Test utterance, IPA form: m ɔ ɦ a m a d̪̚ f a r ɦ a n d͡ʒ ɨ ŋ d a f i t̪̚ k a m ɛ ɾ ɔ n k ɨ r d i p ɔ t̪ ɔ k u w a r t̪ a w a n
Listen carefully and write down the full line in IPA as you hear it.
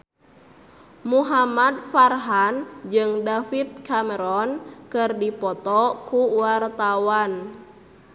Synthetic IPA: m u ɦ a m a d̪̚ f a r ɦ a n d͡ʒ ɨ ŋ d a f i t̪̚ k a m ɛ ɾ ɔ n k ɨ r d i p ɔ t̪ ɔ k u w a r t̪ a w a n